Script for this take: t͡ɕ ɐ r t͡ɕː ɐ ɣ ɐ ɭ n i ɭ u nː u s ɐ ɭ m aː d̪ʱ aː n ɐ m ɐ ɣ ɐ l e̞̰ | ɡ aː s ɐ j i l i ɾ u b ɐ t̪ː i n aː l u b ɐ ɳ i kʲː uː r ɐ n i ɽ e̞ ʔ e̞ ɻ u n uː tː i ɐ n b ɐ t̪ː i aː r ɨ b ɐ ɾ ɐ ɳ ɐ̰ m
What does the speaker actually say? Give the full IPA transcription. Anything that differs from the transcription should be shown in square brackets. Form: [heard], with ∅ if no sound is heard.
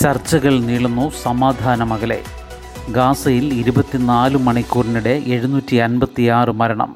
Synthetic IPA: t͡ɕ ɐ r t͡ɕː ɐ ɣ ɐ ɭ n i ɭ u nː u s ɐ [∅] m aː d̪ʱ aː n ɐ m ɐ ɣ ɐ l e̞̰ | ɡ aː s ɐ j i l i ɾ u b ɐ t̪ː i n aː l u [m] ɐ ɳ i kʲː uː r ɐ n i ɽ e̞ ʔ e̞ ɻ u n uː tː i ɐ n b ɐ t̪ː i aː r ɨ [m] ɐ ɾ ɐ ɳ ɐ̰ m